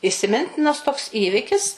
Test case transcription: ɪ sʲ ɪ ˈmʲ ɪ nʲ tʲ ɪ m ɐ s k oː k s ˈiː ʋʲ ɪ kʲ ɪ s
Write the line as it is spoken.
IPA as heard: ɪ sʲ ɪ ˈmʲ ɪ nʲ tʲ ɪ n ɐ s t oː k s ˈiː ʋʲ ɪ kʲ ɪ s